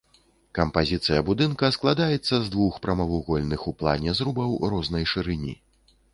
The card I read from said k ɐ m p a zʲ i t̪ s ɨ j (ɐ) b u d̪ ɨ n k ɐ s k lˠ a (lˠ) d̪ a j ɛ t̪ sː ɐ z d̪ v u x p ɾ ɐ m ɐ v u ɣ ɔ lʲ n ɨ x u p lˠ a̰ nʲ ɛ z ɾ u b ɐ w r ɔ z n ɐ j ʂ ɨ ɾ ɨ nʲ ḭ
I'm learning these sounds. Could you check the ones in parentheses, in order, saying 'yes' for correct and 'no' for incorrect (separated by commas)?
yes, no